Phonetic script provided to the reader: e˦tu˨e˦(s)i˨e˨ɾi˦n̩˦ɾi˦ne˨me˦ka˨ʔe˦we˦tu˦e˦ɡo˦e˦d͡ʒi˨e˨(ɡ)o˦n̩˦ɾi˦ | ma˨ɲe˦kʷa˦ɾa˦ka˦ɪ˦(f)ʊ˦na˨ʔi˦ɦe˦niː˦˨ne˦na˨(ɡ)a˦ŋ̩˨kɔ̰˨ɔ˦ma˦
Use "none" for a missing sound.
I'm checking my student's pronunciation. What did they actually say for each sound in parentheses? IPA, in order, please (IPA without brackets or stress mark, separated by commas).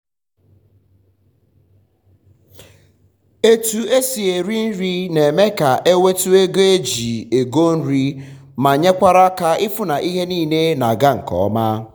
s, ɡ, f, ɡ